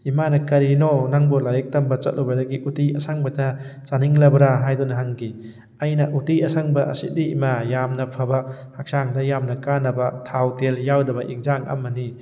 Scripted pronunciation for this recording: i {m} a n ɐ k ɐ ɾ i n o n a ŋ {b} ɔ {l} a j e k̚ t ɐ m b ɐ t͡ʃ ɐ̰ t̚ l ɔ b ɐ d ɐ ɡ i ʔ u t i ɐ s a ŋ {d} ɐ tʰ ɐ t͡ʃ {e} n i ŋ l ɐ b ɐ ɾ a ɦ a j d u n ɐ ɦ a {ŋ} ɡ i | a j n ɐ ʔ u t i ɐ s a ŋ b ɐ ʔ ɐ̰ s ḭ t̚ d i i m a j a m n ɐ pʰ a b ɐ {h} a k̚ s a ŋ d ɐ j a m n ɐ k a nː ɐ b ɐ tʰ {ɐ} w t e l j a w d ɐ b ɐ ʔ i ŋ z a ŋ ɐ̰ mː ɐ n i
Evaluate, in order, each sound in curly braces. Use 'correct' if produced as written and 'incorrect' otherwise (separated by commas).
correct, correct, correct, incorrect, incorrect, correct, correct, incorrect